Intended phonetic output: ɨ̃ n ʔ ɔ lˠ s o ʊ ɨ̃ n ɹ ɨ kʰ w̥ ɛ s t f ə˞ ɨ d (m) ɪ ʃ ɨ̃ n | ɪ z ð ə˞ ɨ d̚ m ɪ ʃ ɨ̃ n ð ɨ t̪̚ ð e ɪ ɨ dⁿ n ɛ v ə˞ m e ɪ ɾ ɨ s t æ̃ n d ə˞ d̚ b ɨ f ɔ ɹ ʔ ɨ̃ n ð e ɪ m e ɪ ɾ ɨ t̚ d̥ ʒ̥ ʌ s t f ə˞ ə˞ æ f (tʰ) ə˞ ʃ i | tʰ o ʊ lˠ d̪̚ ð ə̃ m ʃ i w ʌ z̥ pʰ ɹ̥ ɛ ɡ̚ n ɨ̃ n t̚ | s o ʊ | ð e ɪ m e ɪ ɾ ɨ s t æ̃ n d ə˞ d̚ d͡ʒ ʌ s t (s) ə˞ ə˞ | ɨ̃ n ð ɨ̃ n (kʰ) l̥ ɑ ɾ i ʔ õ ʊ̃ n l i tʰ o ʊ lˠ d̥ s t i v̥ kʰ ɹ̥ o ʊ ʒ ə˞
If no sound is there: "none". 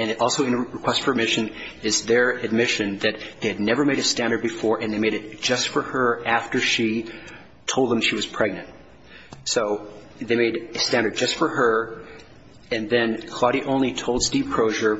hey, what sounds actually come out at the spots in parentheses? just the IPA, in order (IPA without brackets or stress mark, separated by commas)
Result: m, t, f, kʰ